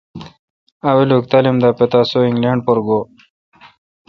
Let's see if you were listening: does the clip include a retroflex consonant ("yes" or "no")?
yes